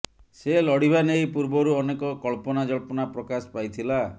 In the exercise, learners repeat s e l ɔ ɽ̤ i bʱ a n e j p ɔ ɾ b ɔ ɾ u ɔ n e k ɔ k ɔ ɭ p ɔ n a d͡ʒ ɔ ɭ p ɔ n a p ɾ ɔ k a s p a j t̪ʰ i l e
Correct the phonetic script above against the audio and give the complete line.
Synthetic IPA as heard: s e l ɔ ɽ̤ i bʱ a n e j p u ɾ b ɔ ɾ u ɔ n e k ɔ k ɔ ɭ p ɔ n a d͡ʒ ɔ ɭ p ɔ n a p ɾ ɔ k a s p a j t̪ʰ i l a